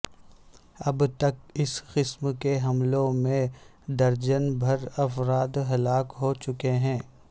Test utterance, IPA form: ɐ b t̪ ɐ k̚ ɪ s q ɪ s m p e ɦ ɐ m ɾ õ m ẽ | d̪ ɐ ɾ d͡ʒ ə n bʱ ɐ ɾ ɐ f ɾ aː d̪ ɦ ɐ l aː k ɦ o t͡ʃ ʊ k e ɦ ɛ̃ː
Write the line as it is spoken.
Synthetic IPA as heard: ɐ b t̪ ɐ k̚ ɪ s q ɪ s m k e ɦ ɐ m l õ m ẽ | d̪ ɐ ɾ d͡ʒ ə n bʱ ɐ ɾ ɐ f ɾ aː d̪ ɦ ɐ l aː k ɦ o t͡ʃ ʊ k e ɦ ɛ̃ː